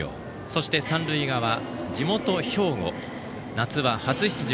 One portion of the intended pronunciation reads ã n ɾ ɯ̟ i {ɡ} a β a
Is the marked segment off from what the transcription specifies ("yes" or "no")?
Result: no